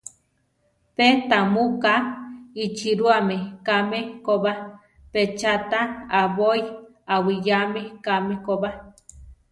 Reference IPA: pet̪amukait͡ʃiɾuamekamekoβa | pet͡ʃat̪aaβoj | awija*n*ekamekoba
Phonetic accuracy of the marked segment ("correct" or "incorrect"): incorrect